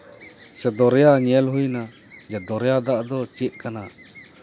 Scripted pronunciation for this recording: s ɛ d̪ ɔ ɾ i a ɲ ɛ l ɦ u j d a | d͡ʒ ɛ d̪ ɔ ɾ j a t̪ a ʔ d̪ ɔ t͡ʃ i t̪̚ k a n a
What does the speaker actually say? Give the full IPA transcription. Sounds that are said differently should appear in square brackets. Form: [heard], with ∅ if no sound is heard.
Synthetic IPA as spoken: s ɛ d̪ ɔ ɾ [j] a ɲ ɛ l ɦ u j [n] a | d͡ʒ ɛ d̪ ɔ ɾ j a [d̪] a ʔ d̪ ɔ t͡ʃ i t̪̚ k a n a